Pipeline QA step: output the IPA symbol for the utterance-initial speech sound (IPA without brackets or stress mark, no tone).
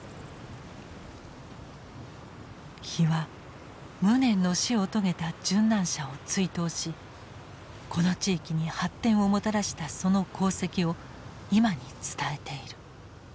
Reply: ç